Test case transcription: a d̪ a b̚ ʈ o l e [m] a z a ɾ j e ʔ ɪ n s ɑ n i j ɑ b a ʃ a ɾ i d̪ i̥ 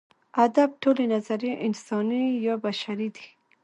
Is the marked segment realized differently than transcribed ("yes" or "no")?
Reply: yes